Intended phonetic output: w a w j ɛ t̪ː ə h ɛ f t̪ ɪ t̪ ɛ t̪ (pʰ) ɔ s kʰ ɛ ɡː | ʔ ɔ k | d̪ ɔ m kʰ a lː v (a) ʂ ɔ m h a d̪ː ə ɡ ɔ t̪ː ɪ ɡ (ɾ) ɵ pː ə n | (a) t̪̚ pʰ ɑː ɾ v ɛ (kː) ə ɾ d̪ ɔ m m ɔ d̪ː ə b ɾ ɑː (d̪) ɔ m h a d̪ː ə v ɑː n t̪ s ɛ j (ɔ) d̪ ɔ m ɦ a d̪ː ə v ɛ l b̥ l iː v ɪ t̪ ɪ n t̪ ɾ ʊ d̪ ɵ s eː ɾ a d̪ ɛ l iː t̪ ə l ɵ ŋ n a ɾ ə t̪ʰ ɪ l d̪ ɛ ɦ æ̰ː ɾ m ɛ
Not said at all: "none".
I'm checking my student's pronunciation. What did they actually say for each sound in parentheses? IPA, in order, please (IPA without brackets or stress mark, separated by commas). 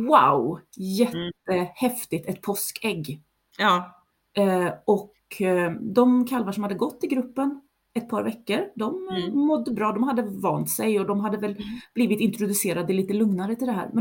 pʰ, a, ɾ, ɛ, kː, d̪, ɔ